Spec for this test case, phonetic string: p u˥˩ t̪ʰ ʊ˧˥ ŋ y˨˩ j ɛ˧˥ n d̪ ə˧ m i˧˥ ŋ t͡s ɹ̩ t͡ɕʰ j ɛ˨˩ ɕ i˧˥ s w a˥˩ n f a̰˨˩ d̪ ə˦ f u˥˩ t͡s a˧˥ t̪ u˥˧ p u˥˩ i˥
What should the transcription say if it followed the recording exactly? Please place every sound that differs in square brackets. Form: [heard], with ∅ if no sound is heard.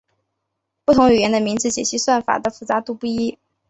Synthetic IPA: p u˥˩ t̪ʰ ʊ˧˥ ŋ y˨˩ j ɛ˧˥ n d̪ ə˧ m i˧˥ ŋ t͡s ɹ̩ [t͡ɕ] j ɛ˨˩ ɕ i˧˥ s w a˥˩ n f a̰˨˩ d̪ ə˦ f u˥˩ t͡s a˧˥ t̪ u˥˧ p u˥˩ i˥